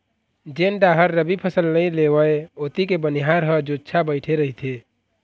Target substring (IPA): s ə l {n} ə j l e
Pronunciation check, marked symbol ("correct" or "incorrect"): correct